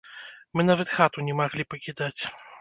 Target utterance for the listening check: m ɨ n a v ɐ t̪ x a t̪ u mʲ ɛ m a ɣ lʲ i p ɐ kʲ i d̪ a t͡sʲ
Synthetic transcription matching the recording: m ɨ n a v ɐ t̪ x a t̪ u nʲ ɛ m a ɣ lʲ i p ɐ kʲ i d̪ a t͡sʲ

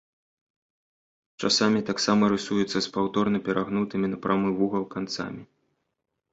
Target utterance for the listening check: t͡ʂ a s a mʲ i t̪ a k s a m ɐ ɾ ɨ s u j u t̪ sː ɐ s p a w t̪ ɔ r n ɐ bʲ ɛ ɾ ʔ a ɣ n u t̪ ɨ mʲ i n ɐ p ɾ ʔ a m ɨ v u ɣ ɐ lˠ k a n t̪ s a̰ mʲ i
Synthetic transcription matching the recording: t͡ʂ a s a mʲ i t̪ a k s a m ɐ ɾ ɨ s u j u t̪ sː ɐ s p a w t̪ ɔ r n ɐ pʲ ɛ ɾ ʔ a ɣ n u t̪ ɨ mʲ i n ɐ p ɾ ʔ a m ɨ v u ɣ ɐ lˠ k a n t̪ s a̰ mʲ i

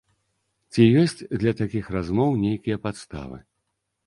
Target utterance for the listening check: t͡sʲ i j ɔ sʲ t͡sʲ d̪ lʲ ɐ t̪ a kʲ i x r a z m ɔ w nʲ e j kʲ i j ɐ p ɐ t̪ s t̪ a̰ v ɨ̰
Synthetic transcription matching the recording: t͡sʲ i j ɔ sʲ t͡sʲ d̪ lʲ ɐ t̪ a kʲ i x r a z m ɔ w nʲ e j kʲ i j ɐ p a t̪ s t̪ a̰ v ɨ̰

